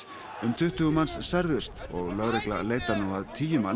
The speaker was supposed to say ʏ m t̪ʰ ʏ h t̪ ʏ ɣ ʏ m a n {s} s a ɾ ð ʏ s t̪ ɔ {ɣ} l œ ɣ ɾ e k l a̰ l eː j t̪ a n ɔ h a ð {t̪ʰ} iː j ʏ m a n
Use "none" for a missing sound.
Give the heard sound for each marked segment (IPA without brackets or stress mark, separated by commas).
s, ɣ, t̪ʰ